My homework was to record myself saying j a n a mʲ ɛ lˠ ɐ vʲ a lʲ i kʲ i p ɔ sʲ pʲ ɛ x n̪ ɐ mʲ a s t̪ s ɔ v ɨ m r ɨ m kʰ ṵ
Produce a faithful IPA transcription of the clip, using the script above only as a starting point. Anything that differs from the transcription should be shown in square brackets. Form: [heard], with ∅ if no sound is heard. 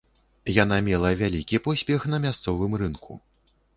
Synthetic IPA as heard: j a n a mʲ ɛ lˠ ɐ vʲ a lʲ i kʲ i p ɔ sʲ pʲ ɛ x n̪ ɐ mʲ a s t̪ s ɔ v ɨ m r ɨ [n] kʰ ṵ